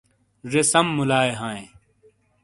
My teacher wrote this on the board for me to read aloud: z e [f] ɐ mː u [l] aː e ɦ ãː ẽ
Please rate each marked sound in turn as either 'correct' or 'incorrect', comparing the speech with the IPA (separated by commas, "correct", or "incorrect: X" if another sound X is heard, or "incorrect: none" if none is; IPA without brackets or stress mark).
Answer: incorrect: s, correct